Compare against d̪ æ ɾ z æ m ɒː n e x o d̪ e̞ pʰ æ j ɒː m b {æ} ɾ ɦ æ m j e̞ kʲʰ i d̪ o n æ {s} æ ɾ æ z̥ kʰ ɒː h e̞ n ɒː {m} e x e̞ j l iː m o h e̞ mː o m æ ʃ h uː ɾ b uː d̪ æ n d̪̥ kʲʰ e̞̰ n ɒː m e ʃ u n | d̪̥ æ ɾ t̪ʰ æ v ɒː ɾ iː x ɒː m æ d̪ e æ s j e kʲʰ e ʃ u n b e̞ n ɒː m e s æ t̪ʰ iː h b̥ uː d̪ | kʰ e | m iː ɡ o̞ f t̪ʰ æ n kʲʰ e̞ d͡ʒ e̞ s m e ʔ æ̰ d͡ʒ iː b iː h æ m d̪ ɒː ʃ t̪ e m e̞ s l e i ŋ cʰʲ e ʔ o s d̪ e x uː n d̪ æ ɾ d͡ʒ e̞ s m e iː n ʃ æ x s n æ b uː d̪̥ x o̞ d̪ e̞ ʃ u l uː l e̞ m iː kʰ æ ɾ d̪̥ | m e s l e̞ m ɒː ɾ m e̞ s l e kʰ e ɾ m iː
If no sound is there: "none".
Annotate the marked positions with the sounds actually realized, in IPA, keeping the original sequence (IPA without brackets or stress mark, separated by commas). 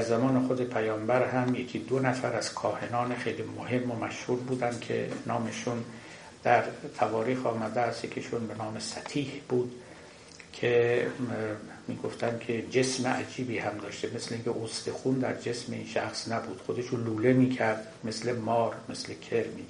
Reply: æ, f, n